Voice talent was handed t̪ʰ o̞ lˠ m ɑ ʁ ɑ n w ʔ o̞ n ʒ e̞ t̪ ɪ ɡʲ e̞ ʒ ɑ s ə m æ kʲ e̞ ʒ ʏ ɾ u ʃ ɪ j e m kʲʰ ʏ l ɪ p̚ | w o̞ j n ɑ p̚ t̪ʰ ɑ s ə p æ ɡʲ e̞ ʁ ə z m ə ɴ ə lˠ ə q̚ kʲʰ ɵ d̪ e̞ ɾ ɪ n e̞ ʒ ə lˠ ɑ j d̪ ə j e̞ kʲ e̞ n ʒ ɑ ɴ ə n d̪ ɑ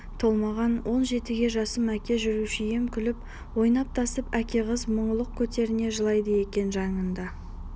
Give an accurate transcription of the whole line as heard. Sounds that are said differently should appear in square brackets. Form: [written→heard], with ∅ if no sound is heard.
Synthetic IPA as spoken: t̪ʰ o̞ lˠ m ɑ ʁ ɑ n w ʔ o̞ n ʒ e̞ t̪ ɪ ɡʲ e̞ ʒ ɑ s ə m æ kʲ e̞ ʒ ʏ ɾ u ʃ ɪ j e m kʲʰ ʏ l ɪ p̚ | w o̞ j n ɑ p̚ t̪ʰ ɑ s ə p æ [ɡʲ→kʲ] e̞ ʁ ə z m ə ɴ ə lˠ ə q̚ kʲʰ ɵ [d̪→t̪] e̞ ɾ ɪ n e̞ ʒ ə lˠ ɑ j d̪ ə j e̞ kʲ e̞ n ʒ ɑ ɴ ə n d̪ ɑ